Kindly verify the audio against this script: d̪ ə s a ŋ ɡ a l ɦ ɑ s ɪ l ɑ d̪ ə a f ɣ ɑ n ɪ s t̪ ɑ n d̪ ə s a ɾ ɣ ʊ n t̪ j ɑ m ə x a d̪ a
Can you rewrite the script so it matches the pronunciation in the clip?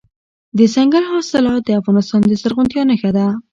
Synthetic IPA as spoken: d̪ ə s a ŋ ɡ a l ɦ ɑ s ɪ l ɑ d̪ ə a f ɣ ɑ n ɪ s t̪ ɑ n d̪ ə s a ɾ ɣ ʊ n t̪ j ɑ n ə x a d̪ a